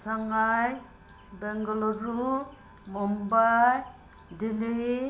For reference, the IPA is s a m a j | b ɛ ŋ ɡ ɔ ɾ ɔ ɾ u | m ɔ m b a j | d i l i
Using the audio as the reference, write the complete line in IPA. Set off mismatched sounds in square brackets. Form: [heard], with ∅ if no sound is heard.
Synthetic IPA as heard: s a [ŋ] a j | b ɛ ŋ ɡ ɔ [l] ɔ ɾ u | m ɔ m b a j | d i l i